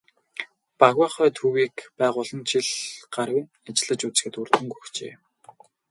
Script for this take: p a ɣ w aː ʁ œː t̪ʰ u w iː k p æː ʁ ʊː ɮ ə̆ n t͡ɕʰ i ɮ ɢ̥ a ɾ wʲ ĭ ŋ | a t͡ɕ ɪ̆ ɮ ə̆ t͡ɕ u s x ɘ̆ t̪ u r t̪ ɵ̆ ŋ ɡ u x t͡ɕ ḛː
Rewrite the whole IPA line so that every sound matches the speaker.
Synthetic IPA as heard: p a ɣ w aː χ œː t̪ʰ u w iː k p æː ʁ ʊː ɮ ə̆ n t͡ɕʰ i ɮ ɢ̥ a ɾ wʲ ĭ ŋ | a t͡ɕ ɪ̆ ɮ ə̆ t͡ɕ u t͡s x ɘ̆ t̪ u r t̪ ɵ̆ ŋ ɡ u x t͡ɕ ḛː